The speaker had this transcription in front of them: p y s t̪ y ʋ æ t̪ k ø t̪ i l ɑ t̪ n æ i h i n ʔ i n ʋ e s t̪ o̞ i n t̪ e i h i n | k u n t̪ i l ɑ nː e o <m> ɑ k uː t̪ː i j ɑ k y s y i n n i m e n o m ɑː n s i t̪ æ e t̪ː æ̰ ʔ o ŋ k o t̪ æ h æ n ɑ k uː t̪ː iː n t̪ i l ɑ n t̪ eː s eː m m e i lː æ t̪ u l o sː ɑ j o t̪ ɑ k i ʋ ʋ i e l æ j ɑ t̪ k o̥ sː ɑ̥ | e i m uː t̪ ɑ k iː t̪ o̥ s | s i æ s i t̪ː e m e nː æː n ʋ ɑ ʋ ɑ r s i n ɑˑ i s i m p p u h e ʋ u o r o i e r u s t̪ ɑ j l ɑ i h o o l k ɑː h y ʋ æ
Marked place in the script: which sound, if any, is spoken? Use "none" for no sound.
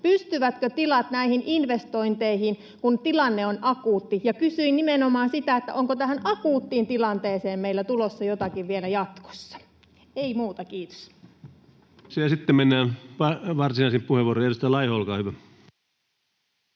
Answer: n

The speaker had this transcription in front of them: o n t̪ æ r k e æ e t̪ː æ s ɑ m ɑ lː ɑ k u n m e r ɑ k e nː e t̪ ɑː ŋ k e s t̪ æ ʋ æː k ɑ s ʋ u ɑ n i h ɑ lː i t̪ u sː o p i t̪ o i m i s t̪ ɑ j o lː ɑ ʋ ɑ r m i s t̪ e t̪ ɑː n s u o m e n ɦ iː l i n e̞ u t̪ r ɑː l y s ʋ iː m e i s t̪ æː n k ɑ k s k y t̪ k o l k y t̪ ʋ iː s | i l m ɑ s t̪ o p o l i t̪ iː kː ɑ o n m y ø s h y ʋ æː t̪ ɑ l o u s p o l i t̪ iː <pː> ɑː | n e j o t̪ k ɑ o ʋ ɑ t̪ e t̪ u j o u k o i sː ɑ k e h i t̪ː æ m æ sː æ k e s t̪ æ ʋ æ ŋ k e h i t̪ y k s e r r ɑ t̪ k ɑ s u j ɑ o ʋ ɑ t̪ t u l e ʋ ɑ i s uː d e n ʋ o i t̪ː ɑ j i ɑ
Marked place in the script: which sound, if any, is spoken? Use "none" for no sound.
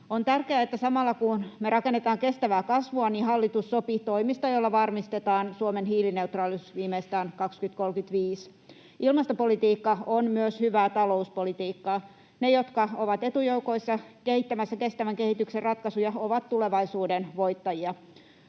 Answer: kː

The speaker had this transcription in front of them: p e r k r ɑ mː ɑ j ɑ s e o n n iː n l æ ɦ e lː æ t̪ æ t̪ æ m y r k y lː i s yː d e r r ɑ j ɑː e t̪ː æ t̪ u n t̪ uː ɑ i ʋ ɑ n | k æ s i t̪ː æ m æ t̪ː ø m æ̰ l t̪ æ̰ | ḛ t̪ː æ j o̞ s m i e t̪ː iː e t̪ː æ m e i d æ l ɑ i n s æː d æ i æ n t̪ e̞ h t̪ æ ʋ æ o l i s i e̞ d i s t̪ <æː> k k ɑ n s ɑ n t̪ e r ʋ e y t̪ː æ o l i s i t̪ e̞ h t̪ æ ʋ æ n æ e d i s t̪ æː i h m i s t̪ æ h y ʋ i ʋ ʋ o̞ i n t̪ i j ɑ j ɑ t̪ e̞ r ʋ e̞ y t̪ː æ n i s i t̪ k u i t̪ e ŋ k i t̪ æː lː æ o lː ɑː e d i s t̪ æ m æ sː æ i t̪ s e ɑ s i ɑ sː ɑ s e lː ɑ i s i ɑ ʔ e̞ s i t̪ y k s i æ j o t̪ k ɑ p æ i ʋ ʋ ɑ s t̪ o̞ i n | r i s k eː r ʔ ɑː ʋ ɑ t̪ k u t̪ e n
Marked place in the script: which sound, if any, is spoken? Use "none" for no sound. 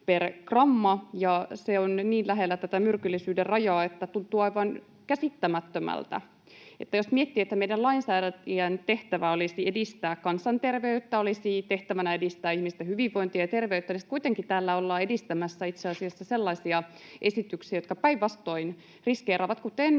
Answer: æː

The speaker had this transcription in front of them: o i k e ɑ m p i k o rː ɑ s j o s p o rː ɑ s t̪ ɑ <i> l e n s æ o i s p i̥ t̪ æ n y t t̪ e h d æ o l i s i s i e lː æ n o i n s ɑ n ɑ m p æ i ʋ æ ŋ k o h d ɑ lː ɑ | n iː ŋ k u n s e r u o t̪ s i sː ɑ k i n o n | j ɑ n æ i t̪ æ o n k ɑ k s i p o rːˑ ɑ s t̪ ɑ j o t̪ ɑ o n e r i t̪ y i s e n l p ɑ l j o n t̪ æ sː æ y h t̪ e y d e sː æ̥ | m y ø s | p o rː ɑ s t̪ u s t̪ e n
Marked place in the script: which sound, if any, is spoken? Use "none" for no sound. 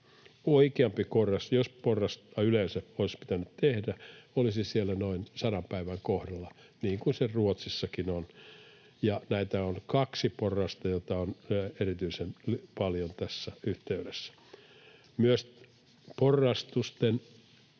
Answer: y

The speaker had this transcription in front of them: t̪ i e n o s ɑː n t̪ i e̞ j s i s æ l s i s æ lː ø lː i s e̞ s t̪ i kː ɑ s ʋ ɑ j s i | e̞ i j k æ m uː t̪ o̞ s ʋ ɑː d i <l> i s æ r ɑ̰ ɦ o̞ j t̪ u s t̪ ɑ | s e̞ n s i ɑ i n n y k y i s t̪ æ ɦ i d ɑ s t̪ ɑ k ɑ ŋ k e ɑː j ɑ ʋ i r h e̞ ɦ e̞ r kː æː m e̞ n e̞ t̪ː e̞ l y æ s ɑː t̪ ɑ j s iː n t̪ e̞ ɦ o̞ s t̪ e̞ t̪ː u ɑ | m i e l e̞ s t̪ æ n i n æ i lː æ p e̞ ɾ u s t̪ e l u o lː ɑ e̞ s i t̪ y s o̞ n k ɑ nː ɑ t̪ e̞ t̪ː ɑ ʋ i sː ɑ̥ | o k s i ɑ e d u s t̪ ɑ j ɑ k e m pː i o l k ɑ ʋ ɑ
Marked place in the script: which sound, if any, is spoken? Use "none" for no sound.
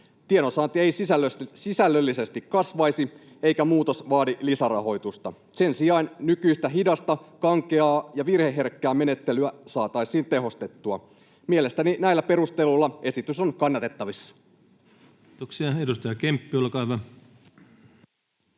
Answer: l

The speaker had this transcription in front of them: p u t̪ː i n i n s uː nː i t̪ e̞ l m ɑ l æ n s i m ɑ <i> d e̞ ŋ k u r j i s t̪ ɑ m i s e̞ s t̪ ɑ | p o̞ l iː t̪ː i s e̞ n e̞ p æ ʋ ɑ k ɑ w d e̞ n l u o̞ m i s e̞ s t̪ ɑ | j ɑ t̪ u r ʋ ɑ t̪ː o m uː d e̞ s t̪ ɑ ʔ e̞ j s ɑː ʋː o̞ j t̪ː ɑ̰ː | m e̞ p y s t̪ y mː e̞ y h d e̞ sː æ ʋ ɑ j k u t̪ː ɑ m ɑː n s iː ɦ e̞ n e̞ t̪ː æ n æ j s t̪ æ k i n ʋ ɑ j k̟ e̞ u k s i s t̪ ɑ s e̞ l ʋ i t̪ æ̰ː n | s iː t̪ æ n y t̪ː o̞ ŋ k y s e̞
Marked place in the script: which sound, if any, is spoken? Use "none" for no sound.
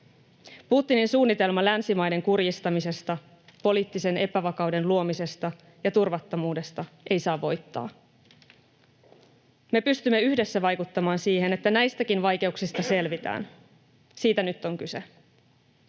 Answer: j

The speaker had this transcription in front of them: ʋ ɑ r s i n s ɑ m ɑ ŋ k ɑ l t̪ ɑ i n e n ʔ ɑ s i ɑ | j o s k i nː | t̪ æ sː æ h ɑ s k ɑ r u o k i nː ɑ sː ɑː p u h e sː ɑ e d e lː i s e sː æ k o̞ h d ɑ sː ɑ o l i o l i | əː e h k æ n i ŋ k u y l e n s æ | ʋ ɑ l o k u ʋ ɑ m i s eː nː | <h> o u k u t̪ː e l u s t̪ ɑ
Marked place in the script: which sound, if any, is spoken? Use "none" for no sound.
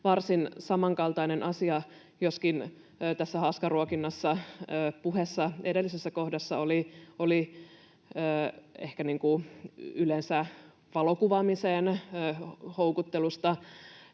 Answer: h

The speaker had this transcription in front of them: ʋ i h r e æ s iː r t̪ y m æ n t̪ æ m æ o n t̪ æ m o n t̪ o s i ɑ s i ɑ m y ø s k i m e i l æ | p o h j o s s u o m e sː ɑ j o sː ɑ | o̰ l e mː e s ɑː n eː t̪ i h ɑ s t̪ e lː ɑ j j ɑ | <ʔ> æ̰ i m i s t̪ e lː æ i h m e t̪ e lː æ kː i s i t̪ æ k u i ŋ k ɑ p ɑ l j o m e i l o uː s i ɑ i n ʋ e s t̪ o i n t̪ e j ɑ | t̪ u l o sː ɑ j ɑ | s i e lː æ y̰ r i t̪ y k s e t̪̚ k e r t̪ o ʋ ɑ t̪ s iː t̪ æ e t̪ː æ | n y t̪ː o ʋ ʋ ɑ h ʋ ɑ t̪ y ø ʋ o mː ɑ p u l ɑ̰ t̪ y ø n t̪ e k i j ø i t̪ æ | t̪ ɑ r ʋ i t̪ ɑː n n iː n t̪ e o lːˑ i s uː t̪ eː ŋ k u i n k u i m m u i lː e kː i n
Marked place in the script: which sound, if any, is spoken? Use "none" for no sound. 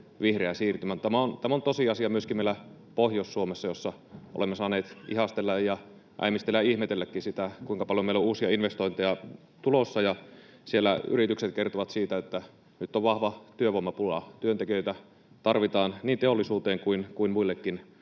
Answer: ʔ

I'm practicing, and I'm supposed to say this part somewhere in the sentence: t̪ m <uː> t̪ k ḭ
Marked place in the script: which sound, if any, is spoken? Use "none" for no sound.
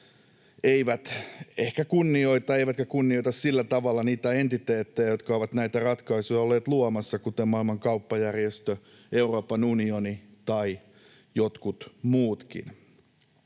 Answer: uː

